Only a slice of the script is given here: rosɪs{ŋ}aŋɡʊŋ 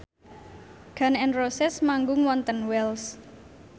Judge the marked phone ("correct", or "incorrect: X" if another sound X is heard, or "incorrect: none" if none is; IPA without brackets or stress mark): incorrect: m